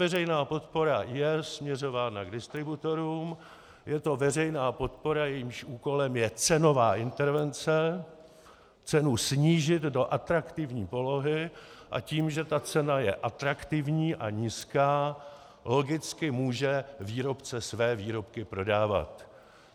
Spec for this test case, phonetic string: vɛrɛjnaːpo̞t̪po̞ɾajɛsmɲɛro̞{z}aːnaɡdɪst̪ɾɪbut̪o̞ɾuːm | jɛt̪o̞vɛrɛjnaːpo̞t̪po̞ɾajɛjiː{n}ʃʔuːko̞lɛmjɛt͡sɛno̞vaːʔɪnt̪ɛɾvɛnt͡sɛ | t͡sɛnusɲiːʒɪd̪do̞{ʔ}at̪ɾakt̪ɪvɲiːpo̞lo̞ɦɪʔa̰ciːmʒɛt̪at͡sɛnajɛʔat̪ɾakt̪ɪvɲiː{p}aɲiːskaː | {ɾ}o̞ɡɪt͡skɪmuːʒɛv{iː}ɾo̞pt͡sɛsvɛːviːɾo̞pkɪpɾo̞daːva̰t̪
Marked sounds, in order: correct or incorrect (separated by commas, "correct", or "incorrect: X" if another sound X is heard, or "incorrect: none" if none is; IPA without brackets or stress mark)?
incorrect: v, incorrect: m, correct, incorrect: ʔ, incorrect: l, correct